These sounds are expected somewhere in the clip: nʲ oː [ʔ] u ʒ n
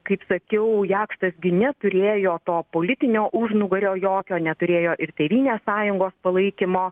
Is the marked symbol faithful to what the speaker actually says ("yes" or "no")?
yes